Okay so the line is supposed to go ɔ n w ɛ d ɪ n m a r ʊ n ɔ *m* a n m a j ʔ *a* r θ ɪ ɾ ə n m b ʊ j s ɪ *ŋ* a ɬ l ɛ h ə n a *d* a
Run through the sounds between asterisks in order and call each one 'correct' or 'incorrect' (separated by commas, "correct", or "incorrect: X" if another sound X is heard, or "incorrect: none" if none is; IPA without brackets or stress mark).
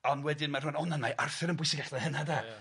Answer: incorrect: n, correct, incorrect: ɡ, correct